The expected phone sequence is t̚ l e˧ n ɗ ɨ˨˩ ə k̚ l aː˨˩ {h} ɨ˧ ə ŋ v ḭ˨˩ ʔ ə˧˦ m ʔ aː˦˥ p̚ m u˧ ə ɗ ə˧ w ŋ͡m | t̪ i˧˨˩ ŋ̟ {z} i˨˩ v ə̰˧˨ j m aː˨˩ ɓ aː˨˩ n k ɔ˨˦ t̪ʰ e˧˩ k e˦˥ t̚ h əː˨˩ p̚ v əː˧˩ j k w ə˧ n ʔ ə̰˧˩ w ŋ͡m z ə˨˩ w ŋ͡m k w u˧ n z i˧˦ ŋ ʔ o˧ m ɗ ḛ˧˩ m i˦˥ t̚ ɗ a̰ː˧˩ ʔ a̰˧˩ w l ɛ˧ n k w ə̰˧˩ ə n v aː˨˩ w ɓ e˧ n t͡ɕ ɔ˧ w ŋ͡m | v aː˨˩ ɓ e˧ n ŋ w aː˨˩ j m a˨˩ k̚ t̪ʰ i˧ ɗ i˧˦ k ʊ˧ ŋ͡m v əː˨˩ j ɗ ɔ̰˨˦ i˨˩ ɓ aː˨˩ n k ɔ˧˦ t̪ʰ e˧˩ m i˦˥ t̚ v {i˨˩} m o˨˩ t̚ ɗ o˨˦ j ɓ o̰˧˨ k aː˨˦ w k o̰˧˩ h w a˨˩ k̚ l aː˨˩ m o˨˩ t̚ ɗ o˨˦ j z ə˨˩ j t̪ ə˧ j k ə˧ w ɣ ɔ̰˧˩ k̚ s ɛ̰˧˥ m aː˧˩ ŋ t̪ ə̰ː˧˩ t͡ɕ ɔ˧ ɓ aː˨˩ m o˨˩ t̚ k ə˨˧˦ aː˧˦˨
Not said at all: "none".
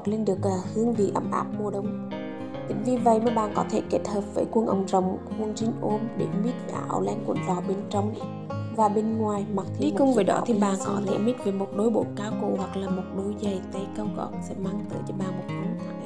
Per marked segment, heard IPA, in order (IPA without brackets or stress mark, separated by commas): h, v, e˨˩